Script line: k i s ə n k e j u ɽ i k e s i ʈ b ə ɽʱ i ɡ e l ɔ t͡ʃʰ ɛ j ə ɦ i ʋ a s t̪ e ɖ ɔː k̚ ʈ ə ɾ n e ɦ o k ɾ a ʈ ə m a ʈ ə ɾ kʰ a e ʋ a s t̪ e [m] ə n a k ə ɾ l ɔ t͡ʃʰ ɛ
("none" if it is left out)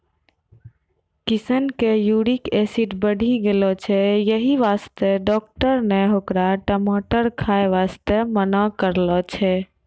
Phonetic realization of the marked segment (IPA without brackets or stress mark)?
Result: m